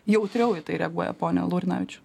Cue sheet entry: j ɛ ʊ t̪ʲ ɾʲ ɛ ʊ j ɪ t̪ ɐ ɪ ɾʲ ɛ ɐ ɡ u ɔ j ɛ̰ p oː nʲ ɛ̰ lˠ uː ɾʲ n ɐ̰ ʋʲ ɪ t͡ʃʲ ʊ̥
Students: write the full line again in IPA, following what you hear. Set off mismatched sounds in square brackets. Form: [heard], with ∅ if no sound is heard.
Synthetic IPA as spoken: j ɛ ʊ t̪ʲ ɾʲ ɛ ʊ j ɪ t̪ ɐ ɪ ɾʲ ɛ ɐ ɡ u ɔ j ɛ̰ p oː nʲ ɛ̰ lˠ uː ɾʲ n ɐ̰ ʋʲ ɪ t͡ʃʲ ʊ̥